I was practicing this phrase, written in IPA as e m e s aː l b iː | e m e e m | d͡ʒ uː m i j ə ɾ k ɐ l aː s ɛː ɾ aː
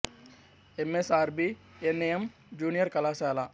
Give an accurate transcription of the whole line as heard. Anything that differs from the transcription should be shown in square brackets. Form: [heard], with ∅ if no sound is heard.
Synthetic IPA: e m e s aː [ɾ] b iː | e [n] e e m | d͡ʒ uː [n] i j ə ɾ k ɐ l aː s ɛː [l] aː